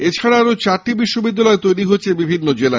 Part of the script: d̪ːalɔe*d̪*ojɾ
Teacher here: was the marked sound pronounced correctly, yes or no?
no